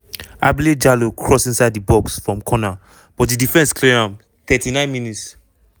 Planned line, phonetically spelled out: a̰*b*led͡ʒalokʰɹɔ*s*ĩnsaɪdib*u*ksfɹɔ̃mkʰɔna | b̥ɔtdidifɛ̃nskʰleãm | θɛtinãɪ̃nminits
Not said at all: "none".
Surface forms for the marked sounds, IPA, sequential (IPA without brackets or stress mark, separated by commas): b, s, ɔ